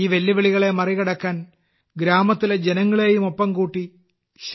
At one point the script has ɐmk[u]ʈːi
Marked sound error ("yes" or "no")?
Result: yes